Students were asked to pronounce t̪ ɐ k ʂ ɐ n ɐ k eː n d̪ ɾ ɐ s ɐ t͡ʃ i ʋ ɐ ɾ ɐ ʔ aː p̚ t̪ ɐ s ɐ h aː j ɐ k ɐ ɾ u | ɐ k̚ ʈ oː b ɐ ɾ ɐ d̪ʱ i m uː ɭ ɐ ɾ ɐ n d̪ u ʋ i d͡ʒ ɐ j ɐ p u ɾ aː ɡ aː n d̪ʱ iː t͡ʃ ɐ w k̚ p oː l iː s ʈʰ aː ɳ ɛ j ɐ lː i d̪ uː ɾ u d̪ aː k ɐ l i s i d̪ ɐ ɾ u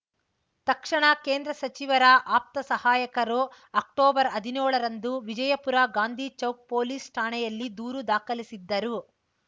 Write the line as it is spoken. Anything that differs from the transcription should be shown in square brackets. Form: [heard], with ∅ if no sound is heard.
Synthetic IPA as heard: t̪ ɐ k ʂ ɐ [ɳ] ɐ k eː n d̪ ɾ ɐ s ɐ t͡ʃ i ʋ ɐ ɾ ɐ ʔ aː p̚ t̪ ɐ s ɐ h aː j ɐ k ɐ ɾ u | ɐ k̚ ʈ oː b ɐ ɾ ɐ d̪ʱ i [n] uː ɭ ɐ ɾ ɐ n d̪ u ʋ i d͡ʒ ɐ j ɐ p u ɾ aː ɡ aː n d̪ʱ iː t͡ʃ ɐ w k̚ p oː l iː s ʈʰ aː ɳ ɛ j ɐ lː i d̪ uː ɾ u d̪ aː k ɐ l i s i [d̪ː] ɐ ɾ u